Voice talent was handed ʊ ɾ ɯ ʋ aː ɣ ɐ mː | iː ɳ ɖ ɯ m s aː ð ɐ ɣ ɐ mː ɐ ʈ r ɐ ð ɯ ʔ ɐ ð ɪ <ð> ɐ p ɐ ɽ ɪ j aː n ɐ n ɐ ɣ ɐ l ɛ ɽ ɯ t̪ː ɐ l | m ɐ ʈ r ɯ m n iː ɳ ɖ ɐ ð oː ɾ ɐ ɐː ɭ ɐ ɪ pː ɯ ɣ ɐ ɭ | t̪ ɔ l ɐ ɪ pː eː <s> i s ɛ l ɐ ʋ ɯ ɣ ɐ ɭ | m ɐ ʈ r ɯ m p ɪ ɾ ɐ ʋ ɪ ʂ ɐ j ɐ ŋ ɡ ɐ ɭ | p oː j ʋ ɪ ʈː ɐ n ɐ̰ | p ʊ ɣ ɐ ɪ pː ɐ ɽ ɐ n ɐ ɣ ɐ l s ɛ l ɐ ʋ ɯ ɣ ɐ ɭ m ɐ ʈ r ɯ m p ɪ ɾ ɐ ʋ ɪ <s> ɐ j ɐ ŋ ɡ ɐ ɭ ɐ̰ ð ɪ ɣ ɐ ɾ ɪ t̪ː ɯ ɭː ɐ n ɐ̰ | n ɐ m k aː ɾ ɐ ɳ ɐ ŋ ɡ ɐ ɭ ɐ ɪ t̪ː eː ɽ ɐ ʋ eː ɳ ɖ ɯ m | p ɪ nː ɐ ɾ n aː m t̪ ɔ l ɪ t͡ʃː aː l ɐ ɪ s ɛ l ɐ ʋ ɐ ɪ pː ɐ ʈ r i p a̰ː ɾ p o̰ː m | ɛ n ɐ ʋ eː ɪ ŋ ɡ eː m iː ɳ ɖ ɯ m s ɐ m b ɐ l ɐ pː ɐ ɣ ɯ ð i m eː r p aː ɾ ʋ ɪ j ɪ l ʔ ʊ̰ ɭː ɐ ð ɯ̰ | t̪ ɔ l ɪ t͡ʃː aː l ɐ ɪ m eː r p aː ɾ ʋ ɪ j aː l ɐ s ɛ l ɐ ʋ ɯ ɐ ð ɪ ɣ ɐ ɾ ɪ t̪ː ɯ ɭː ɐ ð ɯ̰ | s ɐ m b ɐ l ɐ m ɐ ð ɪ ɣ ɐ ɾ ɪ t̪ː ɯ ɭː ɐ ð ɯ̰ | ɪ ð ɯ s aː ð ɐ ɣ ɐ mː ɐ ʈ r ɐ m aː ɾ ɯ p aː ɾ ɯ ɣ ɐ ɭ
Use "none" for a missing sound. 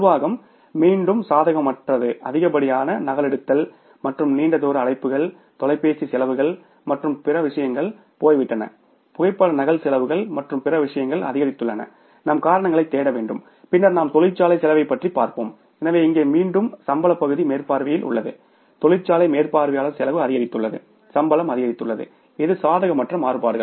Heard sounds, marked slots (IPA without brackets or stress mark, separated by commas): ɣ, s, ʂ